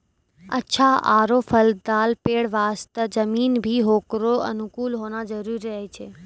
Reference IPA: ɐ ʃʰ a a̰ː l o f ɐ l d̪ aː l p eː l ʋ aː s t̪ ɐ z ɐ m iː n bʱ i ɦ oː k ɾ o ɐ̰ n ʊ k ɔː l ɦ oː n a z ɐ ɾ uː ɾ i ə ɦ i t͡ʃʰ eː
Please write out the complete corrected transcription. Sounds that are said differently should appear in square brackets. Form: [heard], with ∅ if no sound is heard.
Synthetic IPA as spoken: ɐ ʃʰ a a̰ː [ɾ] o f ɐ l d̪ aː l p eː [ɽ] ʋ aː s t̪ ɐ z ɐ m iː n bʱ i ɦ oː k ɾ o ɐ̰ n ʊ k [uː] l ɦ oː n a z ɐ ɾ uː ɾ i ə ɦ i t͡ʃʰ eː